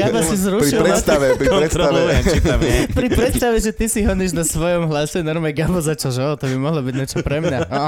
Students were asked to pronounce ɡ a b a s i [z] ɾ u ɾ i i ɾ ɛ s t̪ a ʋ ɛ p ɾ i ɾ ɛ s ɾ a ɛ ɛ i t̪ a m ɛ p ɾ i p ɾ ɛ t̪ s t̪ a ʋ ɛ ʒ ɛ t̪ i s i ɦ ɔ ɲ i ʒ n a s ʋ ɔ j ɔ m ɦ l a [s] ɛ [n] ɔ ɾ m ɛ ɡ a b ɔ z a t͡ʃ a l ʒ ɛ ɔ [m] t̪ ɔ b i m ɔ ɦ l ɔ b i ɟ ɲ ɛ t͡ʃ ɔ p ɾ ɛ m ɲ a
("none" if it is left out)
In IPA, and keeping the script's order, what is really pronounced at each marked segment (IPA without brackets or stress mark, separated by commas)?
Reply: z, s, n, none